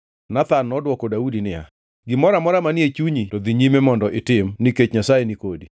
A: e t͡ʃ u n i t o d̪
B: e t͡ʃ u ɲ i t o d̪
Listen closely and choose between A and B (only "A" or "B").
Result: B